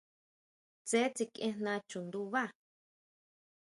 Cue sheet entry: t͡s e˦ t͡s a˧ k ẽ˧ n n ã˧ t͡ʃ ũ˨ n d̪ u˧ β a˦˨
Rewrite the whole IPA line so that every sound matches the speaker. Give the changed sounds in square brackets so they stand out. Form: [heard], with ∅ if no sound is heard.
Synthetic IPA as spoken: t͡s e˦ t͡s [i˧] k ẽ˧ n n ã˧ t͡ʃ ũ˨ n d̪ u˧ β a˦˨